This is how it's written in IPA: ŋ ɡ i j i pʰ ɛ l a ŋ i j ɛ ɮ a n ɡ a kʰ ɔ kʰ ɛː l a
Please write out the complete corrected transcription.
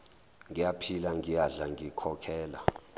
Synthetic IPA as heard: ŋ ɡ i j a pʰ i l a ŋ i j a ɮ a ŋ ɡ i kʰ ɔ kʰ ɛː l a